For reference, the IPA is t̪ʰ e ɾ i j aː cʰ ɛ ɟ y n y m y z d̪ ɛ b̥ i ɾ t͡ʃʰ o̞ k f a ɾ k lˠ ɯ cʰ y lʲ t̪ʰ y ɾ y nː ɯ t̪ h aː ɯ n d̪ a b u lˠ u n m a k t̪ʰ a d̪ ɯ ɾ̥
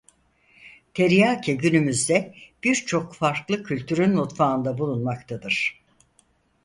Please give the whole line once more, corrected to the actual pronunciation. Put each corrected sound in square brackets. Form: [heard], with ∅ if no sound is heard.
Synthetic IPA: t̪ʰ e ɾ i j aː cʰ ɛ ɟ y n y m y z d̪ ɛ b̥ i ɾ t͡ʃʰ o̞ k f a ɾ k lˠ ɯ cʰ y lʲ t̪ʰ y ɾ y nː [u] t̪ [f] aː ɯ n d̪ a b u lˠ u n m a k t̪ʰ a d̪ ɯ ɾ̥